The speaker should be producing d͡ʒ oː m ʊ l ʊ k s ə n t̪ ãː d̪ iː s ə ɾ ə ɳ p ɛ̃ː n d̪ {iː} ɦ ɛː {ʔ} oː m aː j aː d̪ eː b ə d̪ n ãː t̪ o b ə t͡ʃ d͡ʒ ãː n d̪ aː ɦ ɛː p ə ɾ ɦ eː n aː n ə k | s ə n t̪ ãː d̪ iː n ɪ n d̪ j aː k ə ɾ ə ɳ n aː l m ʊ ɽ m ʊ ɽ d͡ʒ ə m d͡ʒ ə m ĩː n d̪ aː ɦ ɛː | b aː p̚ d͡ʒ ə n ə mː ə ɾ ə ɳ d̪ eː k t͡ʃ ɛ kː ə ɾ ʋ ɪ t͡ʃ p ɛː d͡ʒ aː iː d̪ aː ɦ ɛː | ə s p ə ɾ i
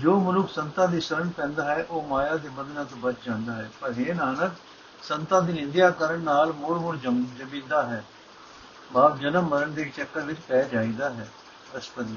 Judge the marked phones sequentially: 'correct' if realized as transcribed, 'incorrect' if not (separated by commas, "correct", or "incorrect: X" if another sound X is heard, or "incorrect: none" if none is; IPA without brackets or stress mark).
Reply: incorrect: aː, correct